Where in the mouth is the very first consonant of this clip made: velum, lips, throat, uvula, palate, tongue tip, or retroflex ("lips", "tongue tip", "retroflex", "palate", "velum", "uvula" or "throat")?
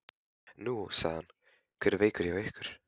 tongue tip